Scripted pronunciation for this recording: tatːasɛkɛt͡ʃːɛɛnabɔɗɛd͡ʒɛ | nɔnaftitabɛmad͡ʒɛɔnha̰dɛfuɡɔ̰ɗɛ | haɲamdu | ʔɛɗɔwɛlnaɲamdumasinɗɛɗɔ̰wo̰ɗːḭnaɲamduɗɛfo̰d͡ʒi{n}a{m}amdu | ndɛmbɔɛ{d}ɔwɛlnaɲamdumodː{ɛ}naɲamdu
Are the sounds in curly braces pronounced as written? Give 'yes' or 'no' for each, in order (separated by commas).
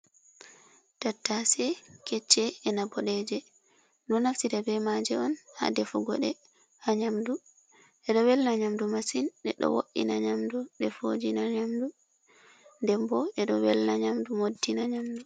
yes, no, no, no